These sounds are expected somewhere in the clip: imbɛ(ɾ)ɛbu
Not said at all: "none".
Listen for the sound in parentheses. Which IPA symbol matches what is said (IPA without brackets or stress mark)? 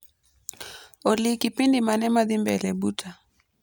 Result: l